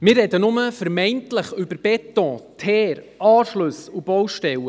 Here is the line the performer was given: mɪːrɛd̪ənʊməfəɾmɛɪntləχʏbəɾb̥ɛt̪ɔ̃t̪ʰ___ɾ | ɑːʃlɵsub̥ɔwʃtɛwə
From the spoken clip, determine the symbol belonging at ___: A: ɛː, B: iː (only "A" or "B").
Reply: A